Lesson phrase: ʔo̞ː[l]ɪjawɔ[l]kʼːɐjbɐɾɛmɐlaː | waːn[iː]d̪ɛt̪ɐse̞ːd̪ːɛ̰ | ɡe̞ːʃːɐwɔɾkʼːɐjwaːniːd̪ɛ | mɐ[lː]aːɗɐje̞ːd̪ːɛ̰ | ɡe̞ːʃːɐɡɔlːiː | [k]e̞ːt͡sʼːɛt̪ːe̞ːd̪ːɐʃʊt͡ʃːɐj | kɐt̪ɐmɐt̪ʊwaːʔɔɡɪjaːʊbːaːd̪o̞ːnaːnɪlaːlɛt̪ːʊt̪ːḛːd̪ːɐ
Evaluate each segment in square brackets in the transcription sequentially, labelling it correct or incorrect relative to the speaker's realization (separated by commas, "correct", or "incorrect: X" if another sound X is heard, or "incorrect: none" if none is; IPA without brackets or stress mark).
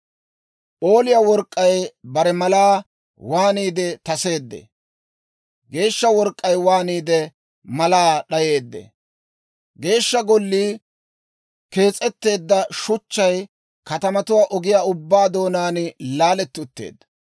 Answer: correct, incorrect: ɾ, correct, incorrect: l, correct